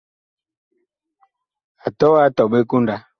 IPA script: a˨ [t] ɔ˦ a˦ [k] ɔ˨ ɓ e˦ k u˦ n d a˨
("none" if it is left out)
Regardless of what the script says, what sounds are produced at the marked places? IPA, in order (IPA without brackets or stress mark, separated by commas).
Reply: t, t